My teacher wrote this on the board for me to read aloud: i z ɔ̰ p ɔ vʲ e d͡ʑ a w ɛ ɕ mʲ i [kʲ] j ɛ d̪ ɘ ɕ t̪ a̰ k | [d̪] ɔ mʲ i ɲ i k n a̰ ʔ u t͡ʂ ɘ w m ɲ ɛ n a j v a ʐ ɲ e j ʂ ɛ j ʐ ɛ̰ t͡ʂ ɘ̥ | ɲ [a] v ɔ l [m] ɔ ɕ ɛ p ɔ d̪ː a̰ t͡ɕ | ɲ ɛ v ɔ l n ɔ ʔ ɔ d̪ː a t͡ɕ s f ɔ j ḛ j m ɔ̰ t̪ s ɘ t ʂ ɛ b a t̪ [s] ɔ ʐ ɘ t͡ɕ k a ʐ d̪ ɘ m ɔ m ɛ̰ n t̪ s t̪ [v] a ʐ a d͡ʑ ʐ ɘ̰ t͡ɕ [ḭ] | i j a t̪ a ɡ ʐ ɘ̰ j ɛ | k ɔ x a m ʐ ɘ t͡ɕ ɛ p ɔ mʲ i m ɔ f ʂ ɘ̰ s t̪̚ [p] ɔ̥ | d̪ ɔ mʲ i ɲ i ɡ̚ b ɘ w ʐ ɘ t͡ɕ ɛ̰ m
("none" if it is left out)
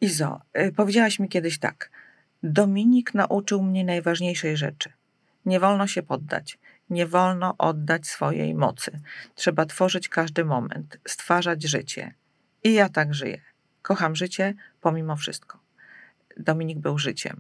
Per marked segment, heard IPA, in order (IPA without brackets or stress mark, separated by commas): kʲ, d̪, ɛ, n, f, f, ɛ̰, k